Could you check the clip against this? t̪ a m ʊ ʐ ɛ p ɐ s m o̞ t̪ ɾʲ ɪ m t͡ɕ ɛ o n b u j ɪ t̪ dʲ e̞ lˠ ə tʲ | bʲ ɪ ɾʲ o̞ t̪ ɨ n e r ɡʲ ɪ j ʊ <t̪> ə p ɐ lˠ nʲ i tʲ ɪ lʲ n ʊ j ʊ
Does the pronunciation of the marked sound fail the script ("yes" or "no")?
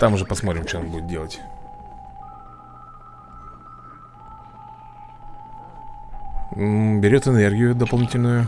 yes